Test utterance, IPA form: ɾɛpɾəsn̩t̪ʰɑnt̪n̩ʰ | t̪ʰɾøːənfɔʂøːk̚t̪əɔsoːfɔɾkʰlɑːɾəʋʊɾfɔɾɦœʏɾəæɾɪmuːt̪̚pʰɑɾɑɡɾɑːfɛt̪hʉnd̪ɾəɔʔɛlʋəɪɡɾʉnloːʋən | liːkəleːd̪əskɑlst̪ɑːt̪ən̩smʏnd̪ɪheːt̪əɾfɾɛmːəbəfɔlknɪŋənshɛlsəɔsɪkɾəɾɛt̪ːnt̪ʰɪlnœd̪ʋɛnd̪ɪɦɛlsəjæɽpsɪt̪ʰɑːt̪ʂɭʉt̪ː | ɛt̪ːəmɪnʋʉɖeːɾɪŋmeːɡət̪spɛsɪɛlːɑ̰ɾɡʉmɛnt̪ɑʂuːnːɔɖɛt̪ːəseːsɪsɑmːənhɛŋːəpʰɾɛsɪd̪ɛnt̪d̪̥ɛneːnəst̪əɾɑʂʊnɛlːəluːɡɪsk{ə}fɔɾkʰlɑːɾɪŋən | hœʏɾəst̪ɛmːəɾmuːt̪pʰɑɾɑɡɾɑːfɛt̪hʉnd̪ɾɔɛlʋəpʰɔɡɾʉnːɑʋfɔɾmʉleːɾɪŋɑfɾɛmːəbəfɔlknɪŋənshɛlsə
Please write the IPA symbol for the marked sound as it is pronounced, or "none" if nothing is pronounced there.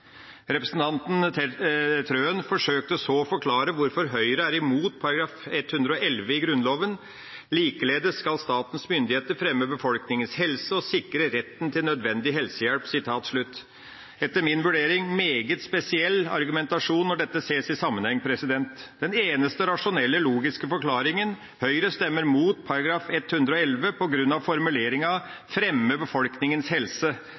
ə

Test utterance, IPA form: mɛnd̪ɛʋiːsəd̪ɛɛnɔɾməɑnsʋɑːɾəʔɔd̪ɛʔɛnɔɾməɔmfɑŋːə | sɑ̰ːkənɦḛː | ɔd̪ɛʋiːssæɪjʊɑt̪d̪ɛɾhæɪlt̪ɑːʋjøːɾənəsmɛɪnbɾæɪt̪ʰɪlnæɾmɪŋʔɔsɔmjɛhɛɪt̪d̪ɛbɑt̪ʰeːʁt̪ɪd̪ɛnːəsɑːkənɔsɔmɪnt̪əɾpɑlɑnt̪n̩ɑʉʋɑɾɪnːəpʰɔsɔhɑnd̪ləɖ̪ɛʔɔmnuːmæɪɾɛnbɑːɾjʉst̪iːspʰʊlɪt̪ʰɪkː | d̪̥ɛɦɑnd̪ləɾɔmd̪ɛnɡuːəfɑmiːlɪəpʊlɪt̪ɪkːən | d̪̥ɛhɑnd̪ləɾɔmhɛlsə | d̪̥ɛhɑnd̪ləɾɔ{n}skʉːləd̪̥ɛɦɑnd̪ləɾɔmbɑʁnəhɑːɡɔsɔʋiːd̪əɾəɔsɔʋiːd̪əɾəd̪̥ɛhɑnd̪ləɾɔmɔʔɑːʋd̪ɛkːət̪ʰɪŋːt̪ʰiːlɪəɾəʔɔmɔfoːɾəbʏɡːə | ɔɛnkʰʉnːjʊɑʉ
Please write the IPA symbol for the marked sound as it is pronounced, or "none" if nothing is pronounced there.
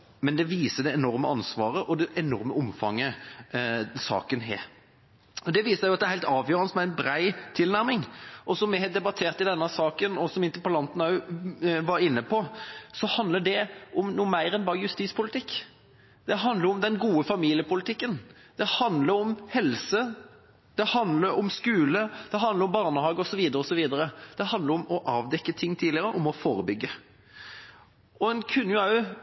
m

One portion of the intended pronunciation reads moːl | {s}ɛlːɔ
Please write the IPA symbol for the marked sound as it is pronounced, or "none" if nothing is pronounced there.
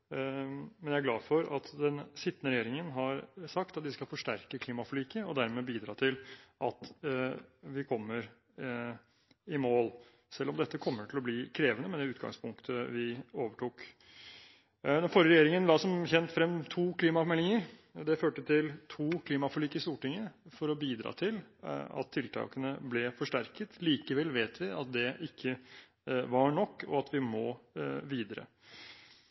s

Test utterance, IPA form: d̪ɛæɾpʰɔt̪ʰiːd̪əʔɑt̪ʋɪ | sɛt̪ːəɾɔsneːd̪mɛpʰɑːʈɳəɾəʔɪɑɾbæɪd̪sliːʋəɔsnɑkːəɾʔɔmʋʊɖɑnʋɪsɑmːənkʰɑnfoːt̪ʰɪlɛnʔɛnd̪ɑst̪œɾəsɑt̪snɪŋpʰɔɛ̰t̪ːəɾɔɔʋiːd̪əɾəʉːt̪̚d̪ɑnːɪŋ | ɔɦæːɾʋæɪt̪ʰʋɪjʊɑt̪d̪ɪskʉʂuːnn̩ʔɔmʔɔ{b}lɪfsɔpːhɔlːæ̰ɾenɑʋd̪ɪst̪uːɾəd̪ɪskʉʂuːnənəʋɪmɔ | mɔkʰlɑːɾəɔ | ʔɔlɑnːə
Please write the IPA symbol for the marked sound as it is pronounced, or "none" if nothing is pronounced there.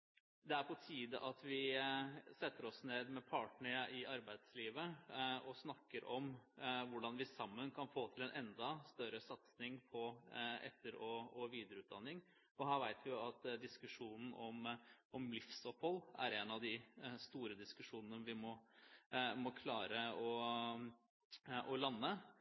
m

